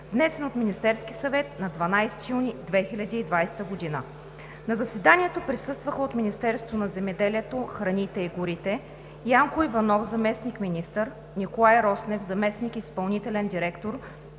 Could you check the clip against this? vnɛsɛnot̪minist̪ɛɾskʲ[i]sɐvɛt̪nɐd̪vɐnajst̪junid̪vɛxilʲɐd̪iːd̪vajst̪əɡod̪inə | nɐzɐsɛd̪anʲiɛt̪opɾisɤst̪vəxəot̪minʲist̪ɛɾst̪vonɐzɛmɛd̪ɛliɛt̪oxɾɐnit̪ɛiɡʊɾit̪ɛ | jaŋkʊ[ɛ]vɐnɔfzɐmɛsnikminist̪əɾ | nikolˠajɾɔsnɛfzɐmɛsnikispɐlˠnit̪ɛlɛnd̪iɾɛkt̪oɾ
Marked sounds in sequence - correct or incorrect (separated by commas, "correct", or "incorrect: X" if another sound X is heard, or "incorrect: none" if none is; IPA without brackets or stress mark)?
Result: correct, incorrect: i